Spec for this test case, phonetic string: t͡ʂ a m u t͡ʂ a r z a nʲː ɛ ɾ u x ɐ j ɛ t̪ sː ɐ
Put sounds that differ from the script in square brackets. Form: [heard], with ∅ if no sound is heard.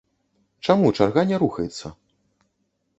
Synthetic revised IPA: t͡ʂ a m u t͡ʂ a r [ɣ] a [nʲ] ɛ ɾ u x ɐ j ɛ t̪ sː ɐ